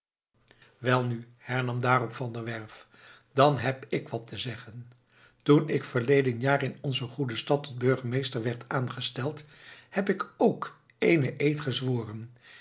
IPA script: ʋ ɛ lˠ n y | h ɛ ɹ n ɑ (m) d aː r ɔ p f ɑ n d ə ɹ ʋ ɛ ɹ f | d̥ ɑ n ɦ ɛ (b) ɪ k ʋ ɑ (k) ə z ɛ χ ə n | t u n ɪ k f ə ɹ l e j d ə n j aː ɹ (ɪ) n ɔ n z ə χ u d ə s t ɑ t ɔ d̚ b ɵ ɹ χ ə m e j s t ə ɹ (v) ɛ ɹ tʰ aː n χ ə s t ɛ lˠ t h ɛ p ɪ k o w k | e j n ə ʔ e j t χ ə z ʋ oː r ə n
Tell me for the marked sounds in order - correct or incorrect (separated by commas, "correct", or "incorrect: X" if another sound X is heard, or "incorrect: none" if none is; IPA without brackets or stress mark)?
correct, incorrect: p, incorrect: t, correct, incorrect: ʋ